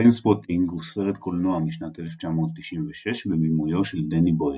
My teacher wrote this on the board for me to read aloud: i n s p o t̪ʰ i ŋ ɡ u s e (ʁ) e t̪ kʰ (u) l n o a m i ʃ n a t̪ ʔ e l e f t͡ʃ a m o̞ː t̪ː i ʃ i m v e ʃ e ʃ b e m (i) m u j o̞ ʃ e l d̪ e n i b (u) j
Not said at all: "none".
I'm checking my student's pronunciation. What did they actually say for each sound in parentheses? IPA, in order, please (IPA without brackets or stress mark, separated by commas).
ʁ, o, i, o